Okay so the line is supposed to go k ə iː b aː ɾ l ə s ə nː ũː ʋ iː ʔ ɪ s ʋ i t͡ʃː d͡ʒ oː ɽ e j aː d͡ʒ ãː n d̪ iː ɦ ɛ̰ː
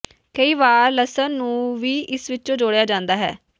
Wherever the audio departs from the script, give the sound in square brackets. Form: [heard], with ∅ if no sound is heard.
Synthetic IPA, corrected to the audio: k ə iː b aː ɾ l ə s ə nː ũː ʋ iː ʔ ɪ s ʋ [ɪ] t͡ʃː d͡ʒ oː ɽ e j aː d͡ʒ ãː n d̪ [aː] ɦ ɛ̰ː